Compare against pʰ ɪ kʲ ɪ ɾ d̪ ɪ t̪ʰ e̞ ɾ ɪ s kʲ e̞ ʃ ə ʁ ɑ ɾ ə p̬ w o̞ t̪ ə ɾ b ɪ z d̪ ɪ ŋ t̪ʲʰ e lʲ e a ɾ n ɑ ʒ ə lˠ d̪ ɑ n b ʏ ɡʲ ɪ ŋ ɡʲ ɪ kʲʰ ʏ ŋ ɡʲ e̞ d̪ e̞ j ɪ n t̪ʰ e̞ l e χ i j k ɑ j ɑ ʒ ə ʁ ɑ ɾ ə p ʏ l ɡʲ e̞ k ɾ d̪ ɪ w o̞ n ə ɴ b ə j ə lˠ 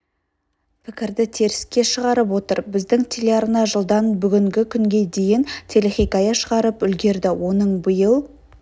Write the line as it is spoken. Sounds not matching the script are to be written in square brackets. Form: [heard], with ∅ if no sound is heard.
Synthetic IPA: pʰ ɪ kʲ ɪ ɾ d̪ ɪ t̪ʰ e̞ ɾ ɪ s kʲ e̞ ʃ ə ʁ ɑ ɾ ə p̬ w o̞ t̪ ə ɾ b ɪ z d̪ ɪ ŋ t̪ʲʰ e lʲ e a ɾ n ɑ ʒ ə lˠ d̪ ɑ n b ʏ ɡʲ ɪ ŋ ɡʲ ɪ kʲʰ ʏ ŋ ɡʲ e̞ d̪ e̞ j ɪ n t̪ʰ e̞ l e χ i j k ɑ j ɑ [ʃ] ə ʁ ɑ ɾ ə p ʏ l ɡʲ e̞ [∅] ɾ d̪ ɪ w o̞ n ə ɴ b ə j ə lˠ